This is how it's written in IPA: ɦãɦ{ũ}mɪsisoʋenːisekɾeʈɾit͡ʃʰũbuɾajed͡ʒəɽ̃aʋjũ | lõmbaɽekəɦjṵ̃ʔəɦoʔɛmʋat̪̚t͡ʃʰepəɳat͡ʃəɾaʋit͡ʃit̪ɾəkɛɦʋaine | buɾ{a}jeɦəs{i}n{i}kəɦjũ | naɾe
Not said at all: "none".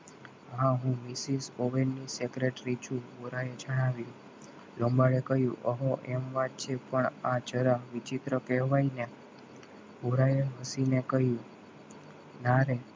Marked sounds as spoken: ũ, a, i, e

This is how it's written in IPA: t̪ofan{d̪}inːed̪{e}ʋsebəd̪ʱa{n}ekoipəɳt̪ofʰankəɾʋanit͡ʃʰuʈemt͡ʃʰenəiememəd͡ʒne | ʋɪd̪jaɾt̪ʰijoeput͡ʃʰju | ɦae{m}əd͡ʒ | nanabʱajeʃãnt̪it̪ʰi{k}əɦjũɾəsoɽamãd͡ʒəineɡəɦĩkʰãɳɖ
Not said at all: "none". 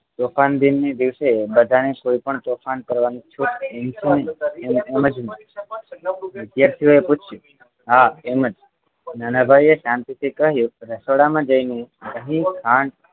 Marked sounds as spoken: d̪, i, n, m, k

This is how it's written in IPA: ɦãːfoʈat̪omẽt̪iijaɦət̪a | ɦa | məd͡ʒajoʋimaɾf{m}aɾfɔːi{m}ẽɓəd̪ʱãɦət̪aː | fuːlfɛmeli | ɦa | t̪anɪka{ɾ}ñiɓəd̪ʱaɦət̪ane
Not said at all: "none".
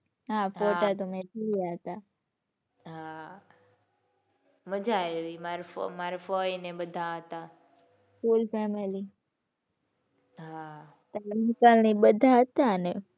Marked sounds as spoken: m, n, l

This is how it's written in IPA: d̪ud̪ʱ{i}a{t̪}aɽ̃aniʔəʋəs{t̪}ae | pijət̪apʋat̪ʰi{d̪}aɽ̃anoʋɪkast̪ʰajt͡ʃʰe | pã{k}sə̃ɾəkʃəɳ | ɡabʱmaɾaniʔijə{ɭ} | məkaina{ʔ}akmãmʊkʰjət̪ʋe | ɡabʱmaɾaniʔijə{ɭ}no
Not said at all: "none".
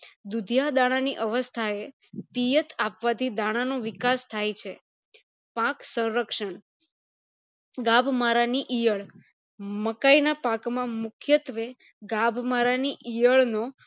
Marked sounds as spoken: j, d̪, t̪ʰ, d̪, k, ɭ, p, ɭ

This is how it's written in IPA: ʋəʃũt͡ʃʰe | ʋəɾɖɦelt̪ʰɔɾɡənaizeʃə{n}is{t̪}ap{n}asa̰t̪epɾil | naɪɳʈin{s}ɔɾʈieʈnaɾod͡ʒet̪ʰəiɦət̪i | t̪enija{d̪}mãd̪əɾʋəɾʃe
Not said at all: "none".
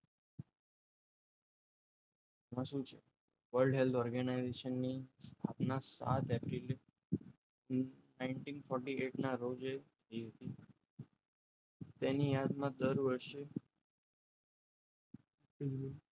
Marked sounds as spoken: nː, t̪ʰ, n, f, d̪

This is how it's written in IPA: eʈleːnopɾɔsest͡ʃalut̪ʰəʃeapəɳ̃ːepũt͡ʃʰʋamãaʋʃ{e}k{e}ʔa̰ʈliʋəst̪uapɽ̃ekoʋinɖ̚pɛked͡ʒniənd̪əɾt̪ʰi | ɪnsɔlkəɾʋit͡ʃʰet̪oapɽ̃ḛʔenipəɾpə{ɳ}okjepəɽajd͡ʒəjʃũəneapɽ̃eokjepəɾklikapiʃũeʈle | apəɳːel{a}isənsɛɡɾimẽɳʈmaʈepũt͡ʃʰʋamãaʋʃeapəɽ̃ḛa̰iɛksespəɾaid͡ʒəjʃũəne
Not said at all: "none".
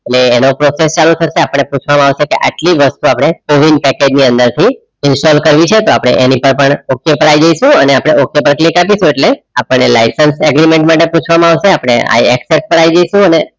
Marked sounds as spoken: e, e, ɳ, a

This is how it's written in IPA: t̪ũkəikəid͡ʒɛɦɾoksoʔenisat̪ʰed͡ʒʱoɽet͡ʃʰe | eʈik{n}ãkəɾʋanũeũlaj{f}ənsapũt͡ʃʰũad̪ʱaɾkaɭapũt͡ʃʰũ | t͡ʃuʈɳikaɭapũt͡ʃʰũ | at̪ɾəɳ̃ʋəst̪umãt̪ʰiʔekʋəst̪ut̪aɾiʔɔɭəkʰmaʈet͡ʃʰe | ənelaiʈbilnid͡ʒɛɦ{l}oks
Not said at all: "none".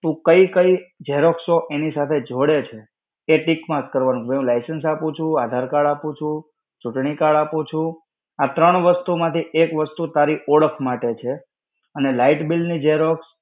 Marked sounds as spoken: m, s, ɾ

